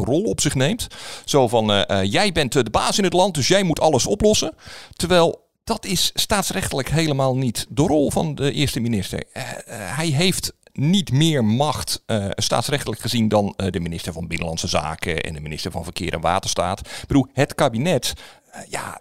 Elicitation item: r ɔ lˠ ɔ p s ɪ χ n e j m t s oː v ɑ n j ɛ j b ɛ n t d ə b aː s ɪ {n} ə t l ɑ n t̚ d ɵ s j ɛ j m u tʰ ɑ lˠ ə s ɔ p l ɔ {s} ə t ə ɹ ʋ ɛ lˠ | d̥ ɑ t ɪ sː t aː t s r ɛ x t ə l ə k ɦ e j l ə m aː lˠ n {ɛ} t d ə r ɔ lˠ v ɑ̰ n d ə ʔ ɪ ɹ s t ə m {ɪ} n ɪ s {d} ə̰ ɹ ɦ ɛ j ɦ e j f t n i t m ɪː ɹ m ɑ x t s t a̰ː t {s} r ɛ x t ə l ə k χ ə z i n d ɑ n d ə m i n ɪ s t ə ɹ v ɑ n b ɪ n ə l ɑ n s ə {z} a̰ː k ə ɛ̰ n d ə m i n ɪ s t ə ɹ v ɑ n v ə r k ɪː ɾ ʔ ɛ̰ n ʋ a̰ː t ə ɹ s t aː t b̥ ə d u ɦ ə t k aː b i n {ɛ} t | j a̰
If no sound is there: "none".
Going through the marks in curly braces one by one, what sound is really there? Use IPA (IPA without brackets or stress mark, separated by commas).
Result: n, s, i, i, t, s, z, ɛ